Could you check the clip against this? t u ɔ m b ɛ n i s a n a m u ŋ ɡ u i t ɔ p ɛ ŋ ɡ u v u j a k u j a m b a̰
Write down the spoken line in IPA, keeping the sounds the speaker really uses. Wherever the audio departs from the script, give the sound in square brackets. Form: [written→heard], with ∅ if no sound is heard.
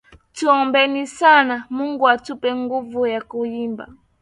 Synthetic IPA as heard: t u ɔ m b ɛ n i s a n a m u ŋ ɡ u [i→a] t [ɔ→u] p ɛ ŋ ɡ u v u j a k u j [a→i] m b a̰